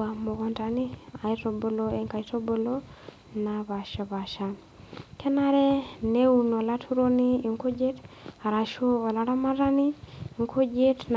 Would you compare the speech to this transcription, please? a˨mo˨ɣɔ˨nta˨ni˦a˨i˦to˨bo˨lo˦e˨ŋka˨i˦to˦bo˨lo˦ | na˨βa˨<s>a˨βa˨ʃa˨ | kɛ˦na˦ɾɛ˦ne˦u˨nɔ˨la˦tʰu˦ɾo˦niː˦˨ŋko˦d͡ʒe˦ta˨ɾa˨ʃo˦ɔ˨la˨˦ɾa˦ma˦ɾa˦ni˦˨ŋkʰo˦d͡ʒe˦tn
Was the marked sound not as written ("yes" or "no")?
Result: yes